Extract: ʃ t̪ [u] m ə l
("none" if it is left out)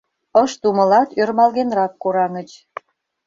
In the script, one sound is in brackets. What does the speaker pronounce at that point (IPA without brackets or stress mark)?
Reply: u